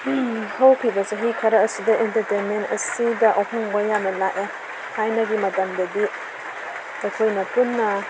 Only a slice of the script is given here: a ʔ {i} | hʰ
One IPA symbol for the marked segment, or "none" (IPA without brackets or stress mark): e